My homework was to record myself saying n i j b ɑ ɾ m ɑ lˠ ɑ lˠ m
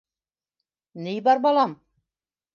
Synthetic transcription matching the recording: n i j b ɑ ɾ b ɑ lˠ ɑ m